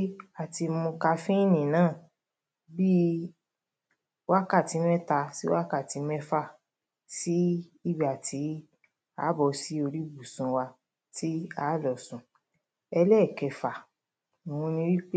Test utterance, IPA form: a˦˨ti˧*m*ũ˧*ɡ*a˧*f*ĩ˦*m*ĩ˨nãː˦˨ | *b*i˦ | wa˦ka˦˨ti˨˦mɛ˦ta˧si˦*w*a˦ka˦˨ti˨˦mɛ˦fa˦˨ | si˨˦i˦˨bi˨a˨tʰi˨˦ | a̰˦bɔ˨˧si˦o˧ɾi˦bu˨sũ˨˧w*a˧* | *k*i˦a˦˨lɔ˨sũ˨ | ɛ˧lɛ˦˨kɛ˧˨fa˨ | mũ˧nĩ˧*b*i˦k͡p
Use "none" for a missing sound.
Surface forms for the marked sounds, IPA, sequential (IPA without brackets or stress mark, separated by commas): m, k, f, n, b, w, a˧, t, w